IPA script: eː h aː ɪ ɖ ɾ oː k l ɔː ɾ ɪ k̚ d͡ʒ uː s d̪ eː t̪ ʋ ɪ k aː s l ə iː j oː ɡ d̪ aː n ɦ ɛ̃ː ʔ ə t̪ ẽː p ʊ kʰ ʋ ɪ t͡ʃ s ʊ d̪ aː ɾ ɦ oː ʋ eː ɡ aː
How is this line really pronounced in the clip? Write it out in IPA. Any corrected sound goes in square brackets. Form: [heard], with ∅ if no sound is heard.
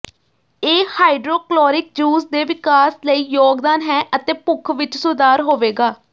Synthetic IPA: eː h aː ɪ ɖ ɾ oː k l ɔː ɾ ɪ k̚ d͡ʒ uː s d̪ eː [∅] ʋ ɪ k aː s l ə iː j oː ɡ d̪ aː n ɦ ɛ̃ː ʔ ə t̪ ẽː p ʊ kʰ ʋ ɪ t͡ʃ s ʊ d̪ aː ɾ ɦ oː ʋ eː ɡ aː